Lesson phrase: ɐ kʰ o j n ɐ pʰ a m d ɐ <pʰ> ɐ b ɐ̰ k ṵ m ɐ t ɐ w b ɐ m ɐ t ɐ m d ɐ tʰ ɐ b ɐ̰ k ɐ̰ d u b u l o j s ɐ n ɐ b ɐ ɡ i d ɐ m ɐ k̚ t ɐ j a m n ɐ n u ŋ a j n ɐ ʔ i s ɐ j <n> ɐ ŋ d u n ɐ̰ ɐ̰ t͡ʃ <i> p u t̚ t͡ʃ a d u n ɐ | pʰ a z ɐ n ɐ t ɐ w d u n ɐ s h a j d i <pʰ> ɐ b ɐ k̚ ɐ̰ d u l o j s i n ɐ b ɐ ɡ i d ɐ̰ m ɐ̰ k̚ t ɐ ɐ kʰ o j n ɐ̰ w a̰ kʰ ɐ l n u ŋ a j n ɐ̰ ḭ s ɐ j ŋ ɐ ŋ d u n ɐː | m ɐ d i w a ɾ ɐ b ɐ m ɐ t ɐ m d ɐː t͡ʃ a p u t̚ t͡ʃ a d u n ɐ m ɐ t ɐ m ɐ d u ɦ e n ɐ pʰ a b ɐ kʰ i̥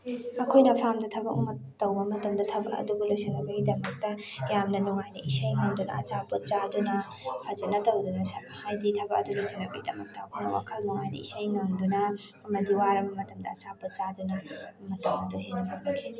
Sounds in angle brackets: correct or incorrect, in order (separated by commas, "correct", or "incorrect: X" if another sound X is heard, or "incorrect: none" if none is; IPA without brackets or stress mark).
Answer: incorrect: tʰ, incorrect: ŋ, incorrect: a, incorrect: tʰ